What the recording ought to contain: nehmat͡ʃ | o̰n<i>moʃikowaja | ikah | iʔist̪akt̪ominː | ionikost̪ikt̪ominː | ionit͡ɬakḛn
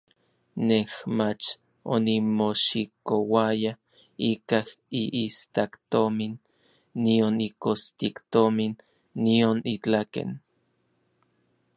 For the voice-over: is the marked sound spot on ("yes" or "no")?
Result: yes